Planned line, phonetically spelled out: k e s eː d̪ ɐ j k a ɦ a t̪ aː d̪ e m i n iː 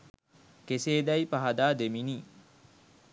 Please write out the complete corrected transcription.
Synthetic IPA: k e s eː d̪ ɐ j p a ɦ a d̪ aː d̪ e m i n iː